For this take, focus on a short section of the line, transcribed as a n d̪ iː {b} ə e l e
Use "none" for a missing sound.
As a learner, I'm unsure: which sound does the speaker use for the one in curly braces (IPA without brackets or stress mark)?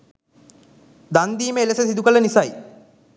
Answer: m